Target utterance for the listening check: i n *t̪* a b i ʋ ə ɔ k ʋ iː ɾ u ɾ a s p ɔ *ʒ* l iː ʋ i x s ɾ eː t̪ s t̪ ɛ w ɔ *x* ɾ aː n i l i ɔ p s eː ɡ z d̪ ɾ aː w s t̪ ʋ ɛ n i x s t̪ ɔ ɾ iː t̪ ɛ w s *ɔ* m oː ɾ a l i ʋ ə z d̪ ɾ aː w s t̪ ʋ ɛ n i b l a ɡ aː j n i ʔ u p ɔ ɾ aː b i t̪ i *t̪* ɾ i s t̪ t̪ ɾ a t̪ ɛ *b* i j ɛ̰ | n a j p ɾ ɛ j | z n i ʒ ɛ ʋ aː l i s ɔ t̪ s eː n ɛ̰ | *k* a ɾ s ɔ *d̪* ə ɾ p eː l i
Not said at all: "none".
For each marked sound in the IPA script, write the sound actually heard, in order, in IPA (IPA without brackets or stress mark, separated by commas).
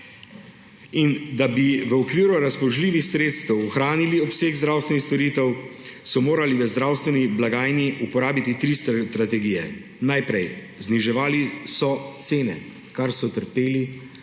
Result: d̪, ʒ, x, ɔ, t̪, ɡ, k, t̪